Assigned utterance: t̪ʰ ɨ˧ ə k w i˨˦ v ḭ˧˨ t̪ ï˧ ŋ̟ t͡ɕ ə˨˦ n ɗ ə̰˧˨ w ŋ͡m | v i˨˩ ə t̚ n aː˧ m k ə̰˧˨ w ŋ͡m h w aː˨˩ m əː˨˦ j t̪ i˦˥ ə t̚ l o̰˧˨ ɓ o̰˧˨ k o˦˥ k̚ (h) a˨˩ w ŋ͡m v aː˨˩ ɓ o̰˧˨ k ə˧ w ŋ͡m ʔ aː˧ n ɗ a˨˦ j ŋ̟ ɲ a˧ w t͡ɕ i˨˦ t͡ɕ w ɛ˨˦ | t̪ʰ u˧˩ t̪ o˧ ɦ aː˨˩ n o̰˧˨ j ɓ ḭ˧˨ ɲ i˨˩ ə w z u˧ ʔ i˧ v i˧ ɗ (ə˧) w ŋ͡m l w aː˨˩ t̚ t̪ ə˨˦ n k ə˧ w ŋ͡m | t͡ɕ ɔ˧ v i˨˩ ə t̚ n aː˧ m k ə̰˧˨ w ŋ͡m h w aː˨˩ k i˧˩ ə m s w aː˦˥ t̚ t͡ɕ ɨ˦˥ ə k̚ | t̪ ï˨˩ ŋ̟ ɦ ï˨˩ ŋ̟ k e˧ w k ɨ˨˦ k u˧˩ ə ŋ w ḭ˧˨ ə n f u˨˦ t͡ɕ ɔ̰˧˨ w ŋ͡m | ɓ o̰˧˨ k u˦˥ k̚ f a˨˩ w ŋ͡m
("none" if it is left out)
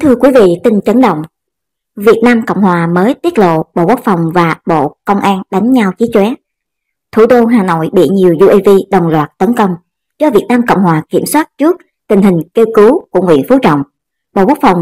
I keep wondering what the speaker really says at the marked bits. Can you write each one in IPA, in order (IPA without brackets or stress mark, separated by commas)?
f, ə˨˩